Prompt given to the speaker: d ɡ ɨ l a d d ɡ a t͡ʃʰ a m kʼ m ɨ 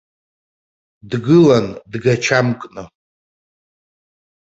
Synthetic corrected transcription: d ɡ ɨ l a n d ɡ a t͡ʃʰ a m kʼ n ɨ